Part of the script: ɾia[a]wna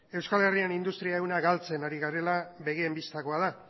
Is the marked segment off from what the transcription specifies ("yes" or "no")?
yes